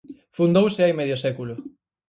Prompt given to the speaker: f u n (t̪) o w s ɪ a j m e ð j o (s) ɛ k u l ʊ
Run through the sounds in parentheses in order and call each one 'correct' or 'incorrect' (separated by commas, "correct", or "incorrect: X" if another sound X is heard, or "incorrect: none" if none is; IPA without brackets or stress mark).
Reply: incorrect: d̪, correct